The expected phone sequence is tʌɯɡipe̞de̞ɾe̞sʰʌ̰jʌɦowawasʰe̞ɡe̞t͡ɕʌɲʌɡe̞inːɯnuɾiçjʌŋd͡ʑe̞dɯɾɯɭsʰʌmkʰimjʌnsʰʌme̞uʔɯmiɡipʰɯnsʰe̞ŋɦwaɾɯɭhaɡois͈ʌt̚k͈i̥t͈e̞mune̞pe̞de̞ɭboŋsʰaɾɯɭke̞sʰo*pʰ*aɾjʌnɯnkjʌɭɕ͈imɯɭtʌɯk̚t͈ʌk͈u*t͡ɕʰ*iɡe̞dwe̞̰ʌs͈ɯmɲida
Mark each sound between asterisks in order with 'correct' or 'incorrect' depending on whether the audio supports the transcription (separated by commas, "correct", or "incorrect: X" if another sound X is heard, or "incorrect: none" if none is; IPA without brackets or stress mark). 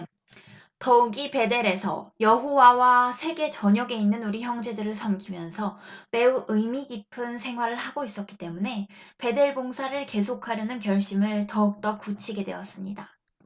incorrect: kʰ, correct